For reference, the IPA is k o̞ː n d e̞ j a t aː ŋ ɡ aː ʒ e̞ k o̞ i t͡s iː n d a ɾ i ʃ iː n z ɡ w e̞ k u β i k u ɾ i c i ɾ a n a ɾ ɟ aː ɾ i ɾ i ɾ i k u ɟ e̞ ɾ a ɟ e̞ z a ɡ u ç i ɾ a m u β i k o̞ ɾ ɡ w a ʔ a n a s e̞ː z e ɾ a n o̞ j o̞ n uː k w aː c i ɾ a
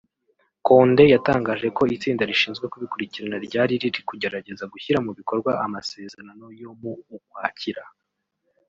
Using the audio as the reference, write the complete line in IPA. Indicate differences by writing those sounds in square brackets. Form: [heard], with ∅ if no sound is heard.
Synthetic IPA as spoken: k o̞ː n d e̞ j a t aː ŋ ɡ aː ʒ e̞ k o̞ i t͡s iː n d a ɾ i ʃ iː n z ɡ w e̞ k u β i k u ɾ i c i ɾ a n a ɾ ɟ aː ɾ i ɾ i ɾ i k u ɟ e̞ ɾ a ɟ e̞ z a ɡ u ç i ɾ a m u β i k o̞ ɾ ɡ w a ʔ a [m] a s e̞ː z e ɾ a n o̞ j o̞ [m] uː k w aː c i ɾ a